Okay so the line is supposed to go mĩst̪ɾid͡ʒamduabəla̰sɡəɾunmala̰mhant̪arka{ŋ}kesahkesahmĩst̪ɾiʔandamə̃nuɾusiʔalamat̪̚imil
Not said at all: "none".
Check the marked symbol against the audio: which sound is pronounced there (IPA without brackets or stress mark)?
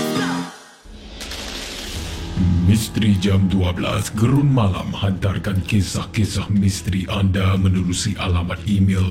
n